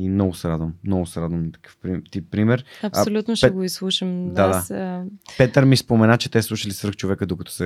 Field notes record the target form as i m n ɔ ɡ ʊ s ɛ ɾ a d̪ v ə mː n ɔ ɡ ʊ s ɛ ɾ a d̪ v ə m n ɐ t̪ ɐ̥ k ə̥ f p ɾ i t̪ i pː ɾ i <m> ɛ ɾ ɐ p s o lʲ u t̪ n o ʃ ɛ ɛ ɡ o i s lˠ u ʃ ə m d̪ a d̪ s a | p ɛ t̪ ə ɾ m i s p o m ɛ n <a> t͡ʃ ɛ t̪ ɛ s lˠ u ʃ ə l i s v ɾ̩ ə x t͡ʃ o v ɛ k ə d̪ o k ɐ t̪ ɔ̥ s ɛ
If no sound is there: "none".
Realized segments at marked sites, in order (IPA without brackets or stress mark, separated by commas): m, a